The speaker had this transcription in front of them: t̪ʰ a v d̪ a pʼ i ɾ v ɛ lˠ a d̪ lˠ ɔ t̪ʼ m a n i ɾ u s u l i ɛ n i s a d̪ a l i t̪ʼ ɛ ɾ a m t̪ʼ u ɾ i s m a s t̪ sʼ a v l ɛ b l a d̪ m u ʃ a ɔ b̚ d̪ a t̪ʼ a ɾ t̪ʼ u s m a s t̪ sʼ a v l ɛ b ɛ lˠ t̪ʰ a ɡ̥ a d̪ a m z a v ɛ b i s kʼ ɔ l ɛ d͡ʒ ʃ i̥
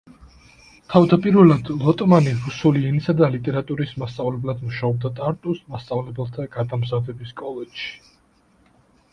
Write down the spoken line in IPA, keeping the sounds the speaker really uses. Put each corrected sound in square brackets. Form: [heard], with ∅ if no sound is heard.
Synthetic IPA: t̪ʰ a v d̪ a pʼ i ɾ v ɛ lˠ a d̪ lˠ ɔ t̪ʼ m a n i ɾ u s u l i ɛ n i s a d̪ a l i t̪ʼ ɛ ɾ a [∅] t̪ʼ u ɾ i s m a s t̪ sʼ a v l ɛ b l a d̪ m u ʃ a ɔ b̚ d̪ a t̪ʼ a ɾ t̪ʼ u s m a s t̪ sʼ a v l ɛ b ɛ lˠ t̪ʰ a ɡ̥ a d̪ a m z a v ɛ b i s kʼ ɔ l ɛ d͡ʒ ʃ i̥